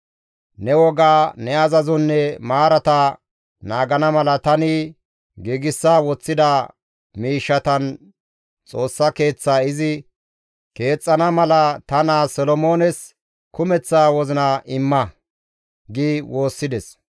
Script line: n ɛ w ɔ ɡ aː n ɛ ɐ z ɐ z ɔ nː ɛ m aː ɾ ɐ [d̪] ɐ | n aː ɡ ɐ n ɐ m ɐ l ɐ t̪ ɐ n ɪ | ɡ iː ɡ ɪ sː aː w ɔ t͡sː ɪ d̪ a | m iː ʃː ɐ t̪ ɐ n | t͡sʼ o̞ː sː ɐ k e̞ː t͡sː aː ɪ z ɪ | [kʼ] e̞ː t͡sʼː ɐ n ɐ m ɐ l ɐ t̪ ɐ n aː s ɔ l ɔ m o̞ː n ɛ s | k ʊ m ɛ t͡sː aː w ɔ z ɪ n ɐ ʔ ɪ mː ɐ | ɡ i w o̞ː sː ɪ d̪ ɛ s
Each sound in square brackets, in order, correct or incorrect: incorrect, incorrect

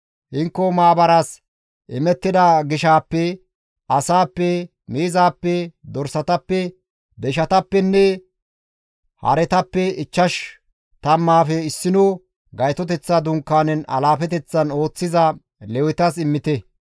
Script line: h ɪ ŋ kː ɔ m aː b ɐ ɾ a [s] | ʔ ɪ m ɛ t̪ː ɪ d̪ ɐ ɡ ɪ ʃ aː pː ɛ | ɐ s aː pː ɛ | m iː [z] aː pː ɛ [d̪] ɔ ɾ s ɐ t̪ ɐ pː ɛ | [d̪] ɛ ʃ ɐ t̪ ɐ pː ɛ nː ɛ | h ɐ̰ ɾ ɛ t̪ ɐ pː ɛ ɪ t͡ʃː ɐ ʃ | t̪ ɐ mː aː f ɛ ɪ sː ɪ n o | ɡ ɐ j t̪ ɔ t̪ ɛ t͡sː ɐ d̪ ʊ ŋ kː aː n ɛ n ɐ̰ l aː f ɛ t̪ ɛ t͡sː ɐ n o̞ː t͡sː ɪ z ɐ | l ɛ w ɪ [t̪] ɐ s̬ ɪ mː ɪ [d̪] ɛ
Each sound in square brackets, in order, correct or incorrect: correct, correct, correct, correct, correct, incorrect

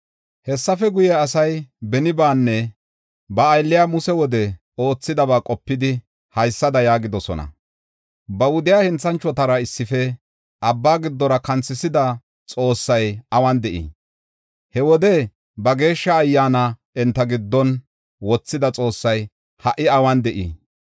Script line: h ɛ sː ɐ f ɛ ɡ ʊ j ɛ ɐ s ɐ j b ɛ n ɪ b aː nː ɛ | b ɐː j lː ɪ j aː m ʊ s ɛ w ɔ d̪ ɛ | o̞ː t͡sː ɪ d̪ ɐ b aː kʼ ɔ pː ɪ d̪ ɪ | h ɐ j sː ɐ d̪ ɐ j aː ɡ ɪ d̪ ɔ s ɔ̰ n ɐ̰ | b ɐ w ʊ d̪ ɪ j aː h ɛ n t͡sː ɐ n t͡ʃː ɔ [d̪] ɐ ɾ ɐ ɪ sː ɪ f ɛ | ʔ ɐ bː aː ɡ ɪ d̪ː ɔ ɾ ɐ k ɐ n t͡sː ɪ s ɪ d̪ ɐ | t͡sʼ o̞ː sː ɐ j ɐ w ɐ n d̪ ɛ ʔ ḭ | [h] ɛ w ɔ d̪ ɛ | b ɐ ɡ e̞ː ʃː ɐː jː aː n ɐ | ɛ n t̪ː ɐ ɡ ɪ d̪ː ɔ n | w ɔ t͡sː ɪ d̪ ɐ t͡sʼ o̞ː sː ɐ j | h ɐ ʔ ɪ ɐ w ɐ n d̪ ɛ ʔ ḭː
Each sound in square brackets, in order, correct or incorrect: incorrect, correct

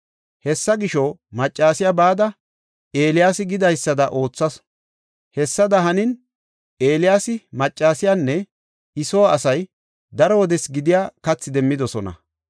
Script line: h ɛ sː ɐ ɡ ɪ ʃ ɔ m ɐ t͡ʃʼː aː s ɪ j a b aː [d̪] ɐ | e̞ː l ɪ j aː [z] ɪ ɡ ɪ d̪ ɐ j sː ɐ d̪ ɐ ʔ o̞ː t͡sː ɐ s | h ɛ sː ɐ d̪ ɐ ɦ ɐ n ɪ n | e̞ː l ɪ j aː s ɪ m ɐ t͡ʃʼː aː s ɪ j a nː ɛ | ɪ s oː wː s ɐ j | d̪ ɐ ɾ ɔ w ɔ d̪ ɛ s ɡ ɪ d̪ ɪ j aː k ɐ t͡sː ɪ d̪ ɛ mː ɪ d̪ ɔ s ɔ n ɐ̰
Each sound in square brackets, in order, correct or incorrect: correct, incorrect

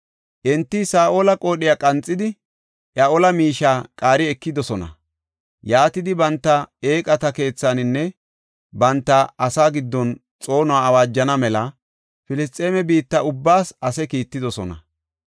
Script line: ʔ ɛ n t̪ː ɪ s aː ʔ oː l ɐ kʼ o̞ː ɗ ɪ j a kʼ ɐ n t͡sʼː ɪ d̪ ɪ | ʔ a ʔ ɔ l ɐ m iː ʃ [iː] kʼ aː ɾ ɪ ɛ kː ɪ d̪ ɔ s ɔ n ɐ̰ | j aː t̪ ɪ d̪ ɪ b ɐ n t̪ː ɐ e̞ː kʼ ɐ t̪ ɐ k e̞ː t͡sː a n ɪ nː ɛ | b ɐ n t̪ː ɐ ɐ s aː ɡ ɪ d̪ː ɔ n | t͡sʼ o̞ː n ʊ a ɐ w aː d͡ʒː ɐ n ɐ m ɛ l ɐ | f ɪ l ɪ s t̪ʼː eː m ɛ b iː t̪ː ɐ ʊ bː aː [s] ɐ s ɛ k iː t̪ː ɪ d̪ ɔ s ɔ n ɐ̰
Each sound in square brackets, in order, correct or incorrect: incorrect, correct

